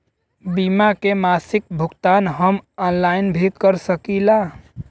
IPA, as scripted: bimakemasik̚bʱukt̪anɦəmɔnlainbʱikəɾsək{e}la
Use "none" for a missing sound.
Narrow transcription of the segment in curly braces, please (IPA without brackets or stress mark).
i